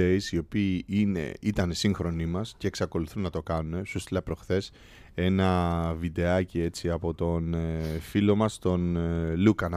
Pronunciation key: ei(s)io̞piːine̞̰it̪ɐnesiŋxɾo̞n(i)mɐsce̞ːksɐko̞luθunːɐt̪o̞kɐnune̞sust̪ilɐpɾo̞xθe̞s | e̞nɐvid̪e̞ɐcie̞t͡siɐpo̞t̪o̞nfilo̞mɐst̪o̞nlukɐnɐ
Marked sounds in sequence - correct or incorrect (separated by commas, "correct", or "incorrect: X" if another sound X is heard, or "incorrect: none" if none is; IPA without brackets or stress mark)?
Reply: correct, correct